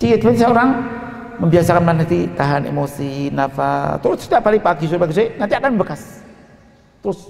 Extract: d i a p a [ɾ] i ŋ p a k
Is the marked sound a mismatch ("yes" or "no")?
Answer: yes